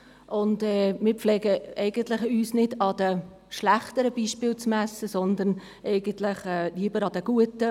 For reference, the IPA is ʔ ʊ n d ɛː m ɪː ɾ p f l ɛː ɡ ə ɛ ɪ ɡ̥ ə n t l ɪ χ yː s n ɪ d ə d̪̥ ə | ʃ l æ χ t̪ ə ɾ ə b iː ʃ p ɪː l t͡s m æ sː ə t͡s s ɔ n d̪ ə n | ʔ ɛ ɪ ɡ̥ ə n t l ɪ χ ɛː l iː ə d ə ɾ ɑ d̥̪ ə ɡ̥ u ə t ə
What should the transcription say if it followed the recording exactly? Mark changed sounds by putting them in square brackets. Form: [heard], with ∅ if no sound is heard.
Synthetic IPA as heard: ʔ ʊ n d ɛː m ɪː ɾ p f l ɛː ɡ ə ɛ ɪ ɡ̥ ə n t l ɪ χ yː s n ɪ d [ɑ] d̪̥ ə | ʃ l æ χ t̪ ə ɾ ə b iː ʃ p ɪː l t͡s m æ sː ə [∅] s ɔ n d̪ ə n | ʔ ɛ ɪ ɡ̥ ə n t l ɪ χ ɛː l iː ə [b] ə ɾ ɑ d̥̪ ə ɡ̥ u ə t ə